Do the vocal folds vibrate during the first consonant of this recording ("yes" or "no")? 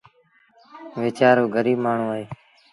yes